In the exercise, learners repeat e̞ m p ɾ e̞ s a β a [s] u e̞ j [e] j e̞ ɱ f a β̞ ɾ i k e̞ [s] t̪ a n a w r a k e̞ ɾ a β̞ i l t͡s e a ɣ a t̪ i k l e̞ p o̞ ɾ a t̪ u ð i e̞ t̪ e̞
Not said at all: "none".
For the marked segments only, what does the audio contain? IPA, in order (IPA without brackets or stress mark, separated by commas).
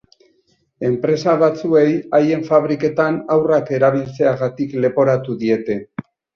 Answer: t͡s, a, none